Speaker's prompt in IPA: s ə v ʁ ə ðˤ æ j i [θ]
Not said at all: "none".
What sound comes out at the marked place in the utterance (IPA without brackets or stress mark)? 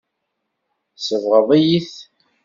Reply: θ